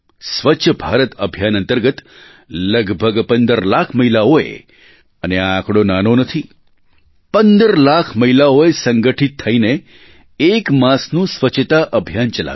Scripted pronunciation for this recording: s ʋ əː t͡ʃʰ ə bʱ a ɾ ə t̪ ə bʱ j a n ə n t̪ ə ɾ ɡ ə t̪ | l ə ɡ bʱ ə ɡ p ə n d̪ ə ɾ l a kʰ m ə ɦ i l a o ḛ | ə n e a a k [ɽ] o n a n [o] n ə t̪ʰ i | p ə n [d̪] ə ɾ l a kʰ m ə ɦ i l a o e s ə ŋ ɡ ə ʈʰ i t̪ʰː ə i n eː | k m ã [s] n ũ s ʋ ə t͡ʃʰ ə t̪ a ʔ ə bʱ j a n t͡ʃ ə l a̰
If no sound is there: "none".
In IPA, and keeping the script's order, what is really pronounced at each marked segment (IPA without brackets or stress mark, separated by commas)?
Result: ɽ, o, d̪, s